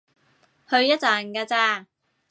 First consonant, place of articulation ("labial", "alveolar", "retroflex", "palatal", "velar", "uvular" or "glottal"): glottal